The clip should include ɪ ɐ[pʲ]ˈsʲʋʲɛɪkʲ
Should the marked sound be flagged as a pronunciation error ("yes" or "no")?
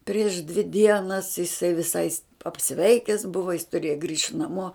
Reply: no